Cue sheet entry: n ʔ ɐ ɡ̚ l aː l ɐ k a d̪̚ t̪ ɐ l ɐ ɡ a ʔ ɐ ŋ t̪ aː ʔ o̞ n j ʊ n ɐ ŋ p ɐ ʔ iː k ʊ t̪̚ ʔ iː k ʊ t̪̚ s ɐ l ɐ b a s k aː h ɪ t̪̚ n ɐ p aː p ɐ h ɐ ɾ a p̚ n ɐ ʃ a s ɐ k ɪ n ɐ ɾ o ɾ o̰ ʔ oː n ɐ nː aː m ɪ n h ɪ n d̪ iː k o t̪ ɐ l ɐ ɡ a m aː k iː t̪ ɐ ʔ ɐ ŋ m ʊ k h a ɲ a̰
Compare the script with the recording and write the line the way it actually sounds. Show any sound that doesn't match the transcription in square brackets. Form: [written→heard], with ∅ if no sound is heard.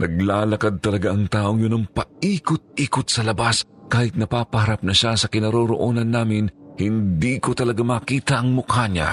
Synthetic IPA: n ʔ ɐ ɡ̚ l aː l ɐ k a d̪̚ t̪ ɐ l ɐ ɡ a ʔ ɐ ŋ t̪ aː ʔ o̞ [n→ŋ] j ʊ n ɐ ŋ p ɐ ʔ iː k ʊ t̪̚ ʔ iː k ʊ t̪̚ s ɐ l ɐ b a s k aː h ɪ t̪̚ n ɐ p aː p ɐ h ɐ ɾ a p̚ n ɐ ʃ a s ɐ k ɪ n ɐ ɾ o ɾ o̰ ʔ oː n ɐ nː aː m ɪ n h ɪ n d̪ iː k o t̪ ɐ l ɐ ɡ a m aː k iː t̪ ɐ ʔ ɐ ŋ m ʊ k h a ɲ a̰